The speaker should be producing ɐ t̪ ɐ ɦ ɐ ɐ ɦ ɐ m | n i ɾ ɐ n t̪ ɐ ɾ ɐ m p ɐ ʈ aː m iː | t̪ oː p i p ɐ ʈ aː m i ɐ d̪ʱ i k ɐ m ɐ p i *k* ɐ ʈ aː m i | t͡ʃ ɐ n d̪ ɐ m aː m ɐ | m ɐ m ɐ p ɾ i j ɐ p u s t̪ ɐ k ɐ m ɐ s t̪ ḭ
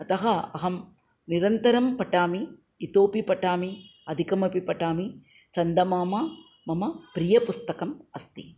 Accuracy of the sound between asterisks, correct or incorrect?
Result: incorrect: p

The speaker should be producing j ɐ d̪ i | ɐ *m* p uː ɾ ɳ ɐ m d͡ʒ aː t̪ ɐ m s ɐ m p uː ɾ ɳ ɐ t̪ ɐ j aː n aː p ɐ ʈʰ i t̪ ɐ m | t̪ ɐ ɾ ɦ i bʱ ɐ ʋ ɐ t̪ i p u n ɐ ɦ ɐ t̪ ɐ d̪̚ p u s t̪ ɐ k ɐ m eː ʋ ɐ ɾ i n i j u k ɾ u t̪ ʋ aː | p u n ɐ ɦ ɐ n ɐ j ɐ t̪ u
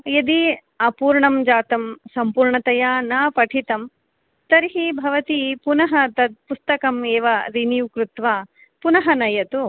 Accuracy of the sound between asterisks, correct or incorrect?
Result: incorrect: none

